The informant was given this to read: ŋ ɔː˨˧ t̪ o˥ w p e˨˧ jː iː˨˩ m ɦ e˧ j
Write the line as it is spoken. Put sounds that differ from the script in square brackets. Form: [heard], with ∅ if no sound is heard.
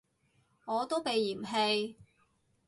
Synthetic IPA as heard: ŋ ɔː˨˧ t̪ o˥ w p e˨˧ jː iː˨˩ m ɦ e˧ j